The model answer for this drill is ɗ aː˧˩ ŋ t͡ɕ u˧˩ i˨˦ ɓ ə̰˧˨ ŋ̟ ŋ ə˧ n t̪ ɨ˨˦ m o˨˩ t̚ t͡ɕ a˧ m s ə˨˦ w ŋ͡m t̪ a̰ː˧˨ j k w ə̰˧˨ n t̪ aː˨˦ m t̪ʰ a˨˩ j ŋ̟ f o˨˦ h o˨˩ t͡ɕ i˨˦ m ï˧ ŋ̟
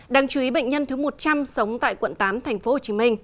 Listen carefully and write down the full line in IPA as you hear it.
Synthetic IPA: ɗ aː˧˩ ŋ t͡ɕ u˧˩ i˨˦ ɓ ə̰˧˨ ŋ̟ ɲ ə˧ n t̪ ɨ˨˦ m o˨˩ t̚ t͡ɕ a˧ m s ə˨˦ w ŋ͡m t̪ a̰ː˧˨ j k w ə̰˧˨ n t̪ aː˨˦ m t̪ʰ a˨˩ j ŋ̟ f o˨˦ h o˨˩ t͡ɕ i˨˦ m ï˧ ŋ̟